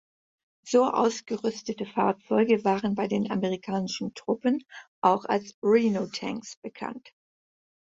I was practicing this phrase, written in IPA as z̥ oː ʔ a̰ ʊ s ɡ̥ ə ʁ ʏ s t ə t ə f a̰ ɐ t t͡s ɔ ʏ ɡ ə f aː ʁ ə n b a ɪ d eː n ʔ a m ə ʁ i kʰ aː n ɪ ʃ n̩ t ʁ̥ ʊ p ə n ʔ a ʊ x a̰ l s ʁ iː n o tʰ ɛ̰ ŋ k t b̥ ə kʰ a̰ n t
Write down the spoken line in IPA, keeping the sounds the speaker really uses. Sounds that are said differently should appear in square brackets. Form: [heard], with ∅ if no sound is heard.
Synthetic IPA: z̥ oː ʔ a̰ ʊ s ɡ̥ ə ʁ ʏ s t ə t ə f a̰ ɐ t t͡s ɔ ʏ ɡ ə [v] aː ʁ ə n b a ɪ d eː n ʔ a m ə ʁ i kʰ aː n ɪ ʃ n̩ t ʁ̥ ʊ p ə n ʔ a ʊ x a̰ l s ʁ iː n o tʰ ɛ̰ ŋ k [s] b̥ ə kʰ a̰ n t